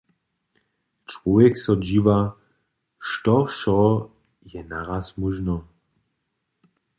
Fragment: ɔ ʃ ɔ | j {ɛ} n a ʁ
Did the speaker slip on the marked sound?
no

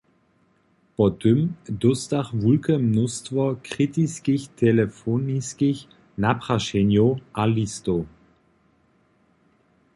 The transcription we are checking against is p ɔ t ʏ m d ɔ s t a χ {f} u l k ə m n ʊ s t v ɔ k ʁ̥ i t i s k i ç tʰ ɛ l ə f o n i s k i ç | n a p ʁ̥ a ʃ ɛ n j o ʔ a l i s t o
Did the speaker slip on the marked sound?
yes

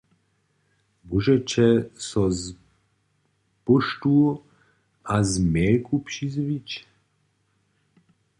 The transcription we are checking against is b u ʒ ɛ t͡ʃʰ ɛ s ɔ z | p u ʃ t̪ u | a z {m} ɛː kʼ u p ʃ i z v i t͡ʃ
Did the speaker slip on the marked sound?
no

